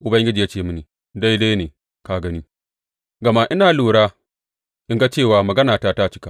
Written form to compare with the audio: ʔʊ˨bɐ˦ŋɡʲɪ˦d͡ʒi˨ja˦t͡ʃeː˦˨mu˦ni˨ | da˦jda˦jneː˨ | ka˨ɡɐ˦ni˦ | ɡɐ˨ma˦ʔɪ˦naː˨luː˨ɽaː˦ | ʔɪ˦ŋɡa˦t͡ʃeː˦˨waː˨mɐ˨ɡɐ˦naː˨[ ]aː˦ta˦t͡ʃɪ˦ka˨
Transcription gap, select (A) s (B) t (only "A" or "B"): B